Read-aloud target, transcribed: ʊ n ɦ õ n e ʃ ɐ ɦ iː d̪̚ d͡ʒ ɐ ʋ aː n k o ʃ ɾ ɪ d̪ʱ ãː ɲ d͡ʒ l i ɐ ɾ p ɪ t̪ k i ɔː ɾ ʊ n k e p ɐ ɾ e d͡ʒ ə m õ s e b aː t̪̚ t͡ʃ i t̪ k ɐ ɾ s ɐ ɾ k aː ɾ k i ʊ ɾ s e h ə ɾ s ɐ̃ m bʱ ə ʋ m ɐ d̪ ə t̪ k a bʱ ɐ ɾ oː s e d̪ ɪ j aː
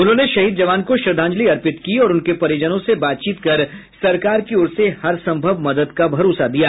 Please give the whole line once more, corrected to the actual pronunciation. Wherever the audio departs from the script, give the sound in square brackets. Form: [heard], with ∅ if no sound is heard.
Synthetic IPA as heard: ʊ n ɦ õ n e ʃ ɐ ɦ iː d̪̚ d͡ʒ ɐ ʋ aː n k o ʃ ɾ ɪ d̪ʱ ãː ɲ d͡ʒ l i ɐ ɾ p ɪ t̪ k i ɔː ɾ ʊ n k e p ɐ ɾ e d͡ʒ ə [n] õ s e b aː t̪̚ t͡ʃ [iː] t̪ k ɐ ɾ s ɐ ɾ k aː ɾ k i ʊ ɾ s e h [ɐ] ɾ s ɐ̃ m bʱ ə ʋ m ɐ d̪ ə [d̪] k a bʱ ɐ ɾ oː s [a] d̪ [i] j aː